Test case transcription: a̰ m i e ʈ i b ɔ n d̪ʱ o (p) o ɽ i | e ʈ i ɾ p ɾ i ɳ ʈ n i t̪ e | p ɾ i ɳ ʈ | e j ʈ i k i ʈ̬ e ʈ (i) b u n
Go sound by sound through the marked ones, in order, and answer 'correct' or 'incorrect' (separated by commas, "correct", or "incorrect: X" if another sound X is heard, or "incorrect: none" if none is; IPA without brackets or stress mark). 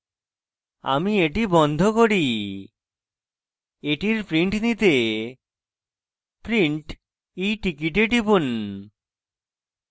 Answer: incorrect: k, correct